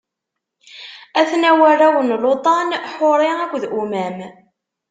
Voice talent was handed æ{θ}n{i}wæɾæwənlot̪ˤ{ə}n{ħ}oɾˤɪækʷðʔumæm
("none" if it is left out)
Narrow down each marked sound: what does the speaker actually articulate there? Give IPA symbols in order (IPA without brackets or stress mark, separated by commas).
θ, æ, ɑ, ħ